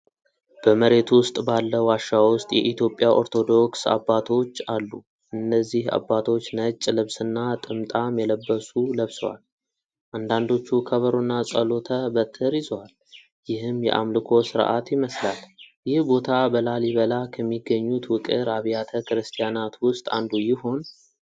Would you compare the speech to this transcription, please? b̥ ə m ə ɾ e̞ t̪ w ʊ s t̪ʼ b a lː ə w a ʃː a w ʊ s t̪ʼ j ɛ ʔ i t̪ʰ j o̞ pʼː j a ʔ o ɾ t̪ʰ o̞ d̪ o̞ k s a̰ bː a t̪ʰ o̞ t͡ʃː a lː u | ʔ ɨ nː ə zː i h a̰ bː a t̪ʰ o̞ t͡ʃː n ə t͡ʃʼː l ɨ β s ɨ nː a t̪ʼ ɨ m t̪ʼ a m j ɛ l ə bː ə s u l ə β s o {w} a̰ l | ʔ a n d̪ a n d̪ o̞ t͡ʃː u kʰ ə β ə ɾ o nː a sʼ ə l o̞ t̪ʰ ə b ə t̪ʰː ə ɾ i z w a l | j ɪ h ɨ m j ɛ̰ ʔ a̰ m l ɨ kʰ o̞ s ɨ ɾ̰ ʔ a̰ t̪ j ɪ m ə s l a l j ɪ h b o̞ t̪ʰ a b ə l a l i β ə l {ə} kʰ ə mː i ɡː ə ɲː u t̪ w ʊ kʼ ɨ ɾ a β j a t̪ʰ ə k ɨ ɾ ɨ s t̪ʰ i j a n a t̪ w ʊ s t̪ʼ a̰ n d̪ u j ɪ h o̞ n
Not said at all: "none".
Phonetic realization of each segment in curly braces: w, a

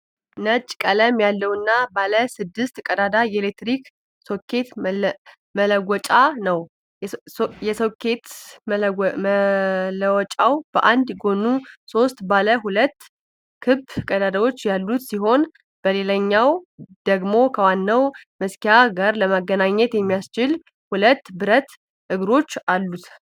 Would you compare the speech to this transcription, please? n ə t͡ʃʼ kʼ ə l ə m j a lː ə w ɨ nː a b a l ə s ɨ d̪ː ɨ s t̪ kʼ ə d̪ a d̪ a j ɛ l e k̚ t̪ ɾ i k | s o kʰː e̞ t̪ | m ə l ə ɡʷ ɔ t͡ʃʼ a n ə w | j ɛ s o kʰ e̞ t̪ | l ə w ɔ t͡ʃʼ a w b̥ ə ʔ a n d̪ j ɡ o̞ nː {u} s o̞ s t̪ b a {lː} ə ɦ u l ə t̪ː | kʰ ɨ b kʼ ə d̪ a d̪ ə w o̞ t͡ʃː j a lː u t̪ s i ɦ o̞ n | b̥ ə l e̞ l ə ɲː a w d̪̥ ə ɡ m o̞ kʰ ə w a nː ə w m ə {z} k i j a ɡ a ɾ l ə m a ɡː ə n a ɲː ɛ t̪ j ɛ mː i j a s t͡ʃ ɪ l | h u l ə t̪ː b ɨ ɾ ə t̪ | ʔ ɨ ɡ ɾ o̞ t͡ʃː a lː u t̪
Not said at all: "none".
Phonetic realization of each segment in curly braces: u, l, s

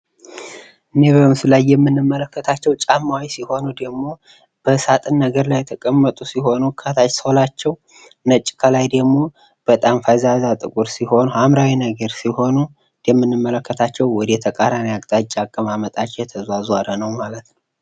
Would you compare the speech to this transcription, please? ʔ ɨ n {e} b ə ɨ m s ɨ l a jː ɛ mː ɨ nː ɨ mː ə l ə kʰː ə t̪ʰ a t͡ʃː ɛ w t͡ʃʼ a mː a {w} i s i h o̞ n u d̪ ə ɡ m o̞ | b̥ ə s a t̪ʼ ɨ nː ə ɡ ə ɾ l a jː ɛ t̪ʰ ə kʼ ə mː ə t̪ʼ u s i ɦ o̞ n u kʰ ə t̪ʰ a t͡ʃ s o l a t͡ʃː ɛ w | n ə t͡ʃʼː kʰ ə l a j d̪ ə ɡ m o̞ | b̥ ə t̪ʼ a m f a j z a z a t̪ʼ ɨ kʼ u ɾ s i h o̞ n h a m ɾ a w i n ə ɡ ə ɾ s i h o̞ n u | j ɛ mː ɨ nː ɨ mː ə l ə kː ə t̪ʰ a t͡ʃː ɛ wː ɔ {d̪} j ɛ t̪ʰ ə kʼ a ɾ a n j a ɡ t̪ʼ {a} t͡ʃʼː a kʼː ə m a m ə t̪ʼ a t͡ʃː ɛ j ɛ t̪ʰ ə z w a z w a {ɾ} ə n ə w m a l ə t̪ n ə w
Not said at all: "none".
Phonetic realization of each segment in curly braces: e, w, d̪, a, ɾ

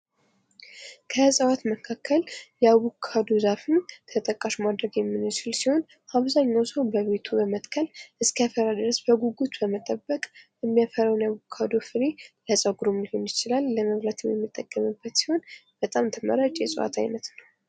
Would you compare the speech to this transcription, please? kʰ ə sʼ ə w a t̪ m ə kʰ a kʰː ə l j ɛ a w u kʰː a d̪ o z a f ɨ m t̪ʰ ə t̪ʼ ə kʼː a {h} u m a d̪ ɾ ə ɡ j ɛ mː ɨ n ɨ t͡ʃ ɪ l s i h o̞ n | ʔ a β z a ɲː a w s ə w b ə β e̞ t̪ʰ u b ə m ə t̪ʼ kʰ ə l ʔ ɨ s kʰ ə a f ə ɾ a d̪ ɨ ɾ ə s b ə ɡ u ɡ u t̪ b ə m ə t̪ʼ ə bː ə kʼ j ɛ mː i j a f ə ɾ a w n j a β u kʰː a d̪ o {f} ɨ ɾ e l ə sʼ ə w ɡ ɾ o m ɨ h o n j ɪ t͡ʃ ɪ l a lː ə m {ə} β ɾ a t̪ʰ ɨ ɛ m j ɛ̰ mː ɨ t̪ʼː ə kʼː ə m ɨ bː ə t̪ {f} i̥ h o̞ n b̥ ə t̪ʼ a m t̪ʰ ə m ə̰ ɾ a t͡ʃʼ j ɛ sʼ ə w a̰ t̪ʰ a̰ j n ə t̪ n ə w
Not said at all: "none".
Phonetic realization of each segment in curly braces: ʃ, f, ə, s

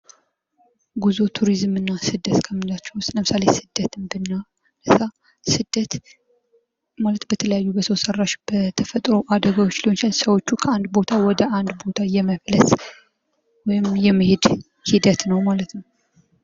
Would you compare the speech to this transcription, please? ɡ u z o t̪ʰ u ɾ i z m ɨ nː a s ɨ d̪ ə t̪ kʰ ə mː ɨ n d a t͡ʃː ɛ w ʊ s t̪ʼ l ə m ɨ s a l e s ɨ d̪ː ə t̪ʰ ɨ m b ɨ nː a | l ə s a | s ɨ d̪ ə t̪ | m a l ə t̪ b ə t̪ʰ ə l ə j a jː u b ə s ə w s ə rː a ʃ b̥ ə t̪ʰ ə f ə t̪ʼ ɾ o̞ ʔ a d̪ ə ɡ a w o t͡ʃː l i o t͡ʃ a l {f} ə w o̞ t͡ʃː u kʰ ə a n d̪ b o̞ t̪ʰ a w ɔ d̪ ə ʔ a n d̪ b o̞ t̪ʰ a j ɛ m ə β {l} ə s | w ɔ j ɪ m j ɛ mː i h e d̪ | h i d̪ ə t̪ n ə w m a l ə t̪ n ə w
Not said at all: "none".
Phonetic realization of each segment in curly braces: s, l

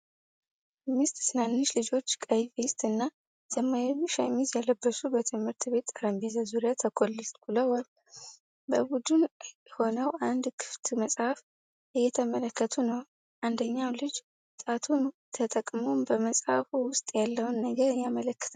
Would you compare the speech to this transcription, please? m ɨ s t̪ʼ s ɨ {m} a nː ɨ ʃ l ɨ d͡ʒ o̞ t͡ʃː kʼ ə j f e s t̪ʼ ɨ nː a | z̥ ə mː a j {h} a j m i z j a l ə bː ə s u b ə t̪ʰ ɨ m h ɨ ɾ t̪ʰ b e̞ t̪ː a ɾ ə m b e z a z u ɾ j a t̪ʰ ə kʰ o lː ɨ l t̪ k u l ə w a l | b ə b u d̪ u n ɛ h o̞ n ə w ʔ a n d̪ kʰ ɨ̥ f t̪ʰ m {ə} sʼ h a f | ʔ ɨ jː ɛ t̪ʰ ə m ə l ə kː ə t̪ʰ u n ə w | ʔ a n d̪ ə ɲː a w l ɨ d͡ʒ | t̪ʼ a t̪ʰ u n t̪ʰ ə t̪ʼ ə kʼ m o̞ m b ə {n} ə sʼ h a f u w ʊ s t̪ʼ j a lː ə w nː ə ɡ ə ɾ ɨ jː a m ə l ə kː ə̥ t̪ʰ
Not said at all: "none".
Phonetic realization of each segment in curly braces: n, ʃ, ə, m

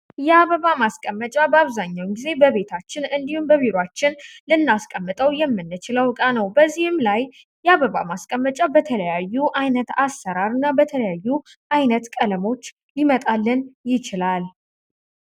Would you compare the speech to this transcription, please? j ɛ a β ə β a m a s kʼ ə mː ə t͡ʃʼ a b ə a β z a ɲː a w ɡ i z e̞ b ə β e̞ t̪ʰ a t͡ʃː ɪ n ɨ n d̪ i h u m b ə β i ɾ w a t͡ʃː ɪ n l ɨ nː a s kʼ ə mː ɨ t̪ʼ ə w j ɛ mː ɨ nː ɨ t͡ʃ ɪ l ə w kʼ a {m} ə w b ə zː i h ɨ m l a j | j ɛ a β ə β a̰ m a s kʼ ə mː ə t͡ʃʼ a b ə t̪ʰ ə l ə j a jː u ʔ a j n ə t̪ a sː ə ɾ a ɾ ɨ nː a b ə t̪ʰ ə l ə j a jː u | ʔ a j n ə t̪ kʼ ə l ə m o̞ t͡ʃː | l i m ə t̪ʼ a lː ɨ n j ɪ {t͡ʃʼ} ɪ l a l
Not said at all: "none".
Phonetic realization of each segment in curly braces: n, t͡ʃ

